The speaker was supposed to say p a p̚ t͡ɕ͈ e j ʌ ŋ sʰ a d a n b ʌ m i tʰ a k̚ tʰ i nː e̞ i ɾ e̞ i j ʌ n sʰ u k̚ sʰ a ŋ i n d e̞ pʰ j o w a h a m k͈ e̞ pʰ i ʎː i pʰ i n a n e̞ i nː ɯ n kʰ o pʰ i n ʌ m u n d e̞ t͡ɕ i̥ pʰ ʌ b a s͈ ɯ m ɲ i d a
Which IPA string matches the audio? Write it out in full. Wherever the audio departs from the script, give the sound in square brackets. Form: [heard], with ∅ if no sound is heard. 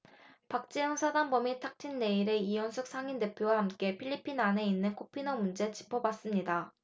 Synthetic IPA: p a [k̚] t͡ɕ͈ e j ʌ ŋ sʰ a d a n b ʌ m i tʰ a k̚ tʰ i nː e̞ i ɾ e̞ i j ʌ n sʰ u k̚ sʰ a ŋ i n d e̞ pʰ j o w a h a m k͈ e̞ pʰ i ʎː i pʰ i n a n e̞ i nː ɯ n kʰ o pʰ i n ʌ m u n [d͡ʑ] e̞ t͡ɕ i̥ pʰ ʌ b a s͈ ɯ m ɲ i d a